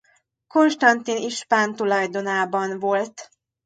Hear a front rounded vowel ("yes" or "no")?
no